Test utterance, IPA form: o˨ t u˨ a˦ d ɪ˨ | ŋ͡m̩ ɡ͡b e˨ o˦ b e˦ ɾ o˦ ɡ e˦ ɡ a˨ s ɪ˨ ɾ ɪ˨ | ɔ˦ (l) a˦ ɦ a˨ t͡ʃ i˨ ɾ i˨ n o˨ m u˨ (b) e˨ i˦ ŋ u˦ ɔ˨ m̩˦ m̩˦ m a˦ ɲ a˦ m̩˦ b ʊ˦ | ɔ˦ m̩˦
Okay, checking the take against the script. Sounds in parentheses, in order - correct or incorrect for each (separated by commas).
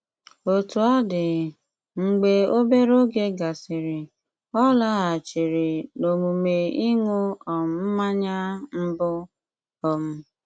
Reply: correct, incorrect